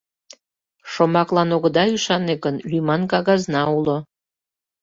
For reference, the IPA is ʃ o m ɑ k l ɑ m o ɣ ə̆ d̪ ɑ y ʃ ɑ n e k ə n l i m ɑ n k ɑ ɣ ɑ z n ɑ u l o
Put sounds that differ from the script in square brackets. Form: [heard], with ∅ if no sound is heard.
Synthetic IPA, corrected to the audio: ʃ o m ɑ k l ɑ [n] o ɣ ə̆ d̪ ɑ y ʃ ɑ n e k ə n l [y] m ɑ n k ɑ ɣ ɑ z n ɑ u l o